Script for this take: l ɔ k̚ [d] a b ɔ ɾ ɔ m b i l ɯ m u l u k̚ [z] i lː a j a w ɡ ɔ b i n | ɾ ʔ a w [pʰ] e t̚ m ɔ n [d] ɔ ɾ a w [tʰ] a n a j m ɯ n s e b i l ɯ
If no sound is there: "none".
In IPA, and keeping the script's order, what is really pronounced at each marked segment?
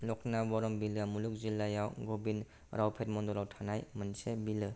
n, z, pʰ, d, tʰ

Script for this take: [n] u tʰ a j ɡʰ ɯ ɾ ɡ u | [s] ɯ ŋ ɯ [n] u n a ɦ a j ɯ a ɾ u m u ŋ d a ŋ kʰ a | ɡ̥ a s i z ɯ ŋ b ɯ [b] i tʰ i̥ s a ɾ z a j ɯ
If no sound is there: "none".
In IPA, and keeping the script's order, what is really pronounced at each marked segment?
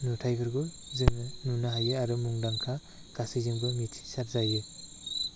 n, z, n, m

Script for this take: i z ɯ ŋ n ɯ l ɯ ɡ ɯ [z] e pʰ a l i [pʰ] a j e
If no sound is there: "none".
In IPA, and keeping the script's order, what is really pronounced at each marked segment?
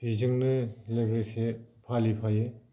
s, pʰ

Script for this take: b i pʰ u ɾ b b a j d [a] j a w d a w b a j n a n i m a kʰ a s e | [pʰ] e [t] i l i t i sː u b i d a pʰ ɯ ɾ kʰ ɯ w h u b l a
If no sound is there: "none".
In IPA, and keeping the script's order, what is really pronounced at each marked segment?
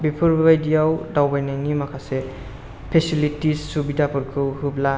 i, pʰ, s

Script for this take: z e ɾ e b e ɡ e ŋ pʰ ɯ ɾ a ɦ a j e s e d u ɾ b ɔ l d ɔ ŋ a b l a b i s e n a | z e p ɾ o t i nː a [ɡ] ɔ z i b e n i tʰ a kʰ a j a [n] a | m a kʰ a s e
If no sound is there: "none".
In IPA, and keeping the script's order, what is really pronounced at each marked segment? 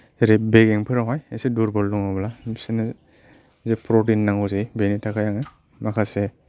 ŋ, ŋ

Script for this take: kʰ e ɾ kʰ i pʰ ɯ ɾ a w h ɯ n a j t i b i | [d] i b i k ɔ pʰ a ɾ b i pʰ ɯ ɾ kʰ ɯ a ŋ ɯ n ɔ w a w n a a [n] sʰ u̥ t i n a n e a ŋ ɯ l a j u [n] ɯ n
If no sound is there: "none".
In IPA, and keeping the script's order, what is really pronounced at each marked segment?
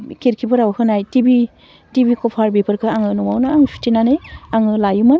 t, ŋ, m

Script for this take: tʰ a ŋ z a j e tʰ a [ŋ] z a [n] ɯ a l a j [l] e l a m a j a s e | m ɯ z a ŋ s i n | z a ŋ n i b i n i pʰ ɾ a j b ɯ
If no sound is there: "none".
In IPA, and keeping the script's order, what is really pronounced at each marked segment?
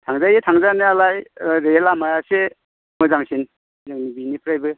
ŋ, n, ɾ

